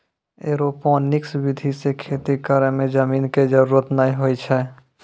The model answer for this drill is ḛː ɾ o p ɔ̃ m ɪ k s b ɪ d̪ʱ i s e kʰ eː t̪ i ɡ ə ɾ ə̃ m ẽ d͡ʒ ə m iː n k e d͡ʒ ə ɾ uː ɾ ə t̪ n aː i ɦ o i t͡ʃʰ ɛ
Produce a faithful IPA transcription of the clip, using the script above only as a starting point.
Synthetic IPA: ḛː ɾ o p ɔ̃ n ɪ k s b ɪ d̪ʱ i s e kʰ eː t̪ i k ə ɾ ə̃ m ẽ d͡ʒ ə m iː n k e d͡ʒ ə ɾ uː ɾ ə t̪ n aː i ɦ o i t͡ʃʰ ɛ